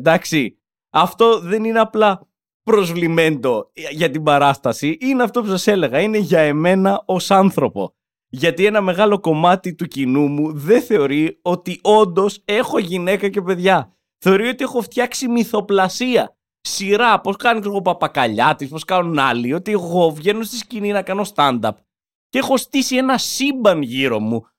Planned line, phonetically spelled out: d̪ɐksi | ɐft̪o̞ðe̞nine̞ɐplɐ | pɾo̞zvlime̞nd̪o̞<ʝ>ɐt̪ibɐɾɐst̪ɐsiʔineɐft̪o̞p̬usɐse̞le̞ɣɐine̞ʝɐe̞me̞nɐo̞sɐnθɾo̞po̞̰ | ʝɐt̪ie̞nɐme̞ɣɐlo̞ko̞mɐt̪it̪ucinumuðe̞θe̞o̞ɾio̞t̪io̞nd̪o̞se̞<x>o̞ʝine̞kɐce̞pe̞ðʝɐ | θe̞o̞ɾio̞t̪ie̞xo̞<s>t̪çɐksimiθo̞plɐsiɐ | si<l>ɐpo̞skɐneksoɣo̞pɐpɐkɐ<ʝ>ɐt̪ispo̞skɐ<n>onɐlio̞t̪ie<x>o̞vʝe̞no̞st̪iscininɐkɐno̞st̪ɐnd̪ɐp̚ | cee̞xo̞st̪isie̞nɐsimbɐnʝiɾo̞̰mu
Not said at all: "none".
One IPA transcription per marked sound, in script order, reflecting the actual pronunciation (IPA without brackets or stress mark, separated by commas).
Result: ʝ, x, f, ɾ, ʎ, n, ɣ